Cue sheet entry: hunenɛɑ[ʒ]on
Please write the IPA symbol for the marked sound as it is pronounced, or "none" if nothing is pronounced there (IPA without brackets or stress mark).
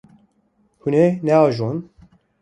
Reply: ʒ